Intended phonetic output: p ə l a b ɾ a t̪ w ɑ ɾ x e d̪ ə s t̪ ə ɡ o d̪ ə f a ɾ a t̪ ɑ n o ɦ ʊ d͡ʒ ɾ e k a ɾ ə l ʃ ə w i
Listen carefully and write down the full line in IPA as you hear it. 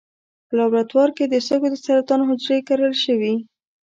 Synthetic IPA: p ə l ɑ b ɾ a t̪ w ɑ ɾ k e d̪ ə s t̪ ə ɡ o d̪ ə s a ɾ a t̪ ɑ n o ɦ ʊ d͡ʒ ɾ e k a ɾ ə l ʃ ə w i